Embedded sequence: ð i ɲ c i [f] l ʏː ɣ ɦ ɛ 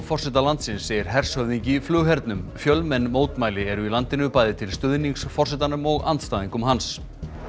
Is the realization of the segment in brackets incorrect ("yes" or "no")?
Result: no